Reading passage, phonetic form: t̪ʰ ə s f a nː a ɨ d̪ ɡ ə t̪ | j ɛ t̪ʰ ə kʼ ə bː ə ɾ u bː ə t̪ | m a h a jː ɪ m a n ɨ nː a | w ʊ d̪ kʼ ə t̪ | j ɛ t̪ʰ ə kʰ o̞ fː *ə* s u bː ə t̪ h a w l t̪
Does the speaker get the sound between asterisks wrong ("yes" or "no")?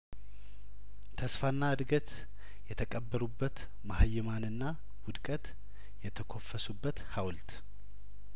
no